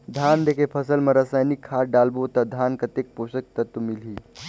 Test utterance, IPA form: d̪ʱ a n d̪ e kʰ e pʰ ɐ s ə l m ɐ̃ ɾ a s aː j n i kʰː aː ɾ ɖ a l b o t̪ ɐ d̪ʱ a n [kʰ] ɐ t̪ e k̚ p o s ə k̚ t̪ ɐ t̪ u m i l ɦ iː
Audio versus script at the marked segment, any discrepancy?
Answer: yes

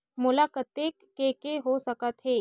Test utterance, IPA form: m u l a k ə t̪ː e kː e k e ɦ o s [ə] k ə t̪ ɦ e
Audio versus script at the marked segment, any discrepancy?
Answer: no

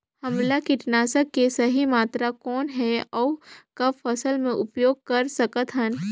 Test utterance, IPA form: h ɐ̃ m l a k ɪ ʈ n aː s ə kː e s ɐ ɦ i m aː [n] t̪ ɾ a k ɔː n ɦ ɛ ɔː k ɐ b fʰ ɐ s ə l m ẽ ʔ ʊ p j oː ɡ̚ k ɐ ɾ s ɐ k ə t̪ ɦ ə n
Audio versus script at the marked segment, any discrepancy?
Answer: yes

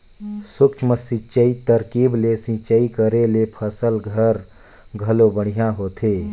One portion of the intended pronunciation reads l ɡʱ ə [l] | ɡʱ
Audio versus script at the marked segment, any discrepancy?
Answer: yes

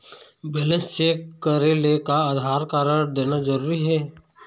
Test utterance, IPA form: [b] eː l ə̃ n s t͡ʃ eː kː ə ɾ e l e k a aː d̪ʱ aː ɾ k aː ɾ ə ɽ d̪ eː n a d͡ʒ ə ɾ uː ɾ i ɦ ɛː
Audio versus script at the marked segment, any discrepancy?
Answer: no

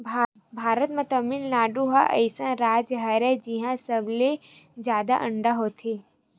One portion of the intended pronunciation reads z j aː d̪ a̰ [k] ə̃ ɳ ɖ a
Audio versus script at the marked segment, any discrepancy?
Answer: yes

